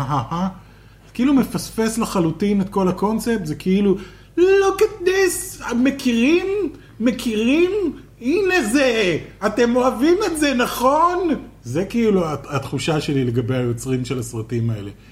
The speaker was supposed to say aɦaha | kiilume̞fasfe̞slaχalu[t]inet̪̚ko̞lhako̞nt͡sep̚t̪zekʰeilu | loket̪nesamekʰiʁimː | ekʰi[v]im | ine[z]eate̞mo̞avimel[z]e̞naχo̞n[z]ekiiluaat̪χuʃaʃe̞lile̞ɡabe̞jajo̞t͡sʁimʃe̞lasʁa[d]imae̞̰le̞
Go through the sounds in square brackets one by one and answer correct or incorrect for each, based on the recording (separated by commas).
correct, incorrect, correct, correct, correct, incorrect